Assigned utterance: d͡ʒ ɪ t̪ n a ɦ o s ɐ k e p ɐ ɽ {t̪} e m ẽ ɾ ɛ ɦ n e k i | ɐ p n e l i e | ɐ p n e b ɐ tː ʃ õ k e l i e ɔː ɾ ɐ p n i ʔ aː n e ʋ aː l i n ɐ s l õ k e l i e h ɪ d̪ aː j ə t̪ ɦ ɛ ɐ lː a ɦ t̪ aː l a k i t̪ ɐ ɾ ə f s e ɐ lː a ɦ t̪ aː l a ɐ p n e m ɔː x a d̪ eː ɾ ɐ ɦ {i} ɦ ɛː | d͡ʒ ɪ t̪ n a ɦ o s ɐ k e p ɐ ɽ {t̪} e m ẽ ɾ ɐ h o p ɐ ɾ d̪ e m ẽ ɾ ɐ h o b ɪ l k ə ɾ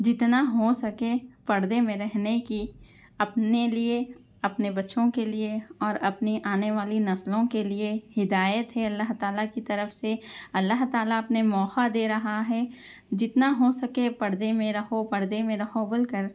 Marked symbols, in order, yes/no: no, no, no

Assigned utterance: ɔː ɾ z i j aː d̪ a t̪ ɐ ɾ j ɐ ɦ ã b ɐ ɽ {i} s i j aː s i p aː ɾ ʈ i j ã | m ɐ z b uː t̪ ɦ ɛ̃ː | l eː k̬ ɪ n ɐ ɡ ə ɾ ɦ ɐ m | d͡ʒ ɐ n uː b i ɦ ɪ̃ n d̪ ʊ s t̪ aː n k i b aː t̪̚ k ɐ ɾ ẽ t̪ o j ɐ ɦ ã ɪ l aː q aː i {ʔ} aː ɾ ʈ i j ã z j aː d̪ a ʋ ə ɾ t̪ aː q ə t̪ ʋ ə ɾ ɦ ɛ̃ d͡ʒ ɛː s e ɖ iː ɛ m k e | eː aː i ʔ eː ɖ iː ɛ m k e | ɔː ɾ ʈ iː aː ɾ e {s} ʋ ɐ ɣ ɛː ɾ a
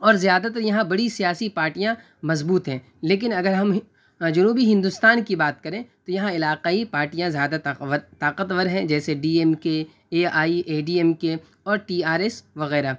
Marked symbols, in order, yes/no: yes, no, yes

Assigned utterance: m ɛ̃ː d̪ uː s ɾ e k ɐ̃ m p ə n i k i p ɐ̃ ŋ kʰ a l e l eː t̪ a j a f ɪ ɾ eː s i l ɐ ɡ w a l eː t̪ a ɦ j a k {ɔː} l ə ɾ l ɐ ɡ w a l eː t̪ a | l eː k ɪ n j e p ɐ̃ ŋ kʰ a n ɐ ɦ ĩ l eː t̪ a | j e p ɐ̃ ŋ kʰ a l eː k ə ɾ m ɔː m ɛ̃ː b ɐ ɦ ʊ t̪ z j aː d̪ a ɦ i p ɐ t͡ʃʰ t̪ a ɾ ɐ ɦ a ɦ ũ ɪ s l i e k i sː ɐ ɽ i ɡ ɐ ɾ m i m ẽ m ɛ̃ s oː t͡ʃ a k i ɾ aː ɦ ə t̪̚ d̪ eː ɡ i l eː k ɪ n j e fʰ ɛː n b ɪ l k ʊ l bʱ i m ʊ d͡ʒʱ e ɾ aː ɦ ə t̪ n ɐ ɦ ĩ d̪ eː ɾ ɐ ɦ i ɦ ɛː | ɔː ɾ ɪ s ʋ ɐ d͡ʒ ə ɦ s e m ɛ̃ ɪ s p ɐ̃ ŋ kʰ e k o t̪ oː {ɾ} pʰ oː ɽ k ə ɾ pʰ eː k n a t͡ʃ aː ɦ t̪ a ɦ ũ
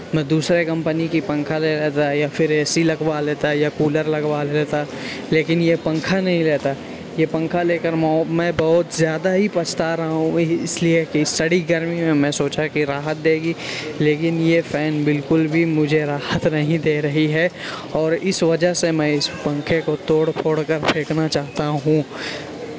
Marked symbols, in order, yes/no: no, no

